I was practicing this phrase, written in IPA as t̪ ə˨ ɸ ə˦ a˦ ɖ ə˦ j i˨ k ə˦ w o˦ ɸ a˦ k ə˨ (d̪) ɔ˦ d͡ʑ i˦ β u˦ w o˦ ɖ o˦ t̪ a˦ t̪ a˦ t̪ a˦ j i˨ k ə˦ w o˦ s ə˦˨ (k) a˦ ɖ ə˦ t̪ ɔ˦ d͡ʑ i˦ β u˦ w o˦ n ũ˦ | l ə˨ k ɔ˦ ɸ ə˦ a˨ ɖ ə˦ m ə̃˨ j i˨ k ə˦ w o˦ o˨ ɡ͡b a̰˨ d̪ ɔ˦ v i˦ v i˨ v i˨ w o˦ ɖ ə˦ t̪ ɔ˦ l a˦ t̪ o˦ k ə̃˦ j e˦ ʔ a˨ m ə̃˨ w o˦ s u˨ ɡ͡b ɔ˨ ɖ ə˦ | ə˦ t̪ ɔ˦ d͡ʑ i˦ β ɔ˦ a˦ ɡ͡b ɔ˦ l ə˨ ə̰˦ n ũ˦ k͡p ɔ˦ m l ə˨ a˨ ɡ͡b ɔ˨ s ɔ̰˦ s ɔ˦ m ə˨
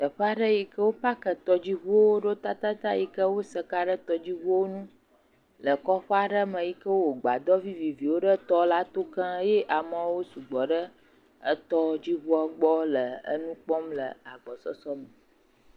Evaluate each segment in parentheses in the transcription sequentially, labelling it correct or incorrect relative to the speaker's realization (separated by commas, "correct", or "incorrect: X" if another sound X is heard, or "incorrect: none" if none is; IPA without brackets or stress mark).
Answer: incorrect: t̪, correct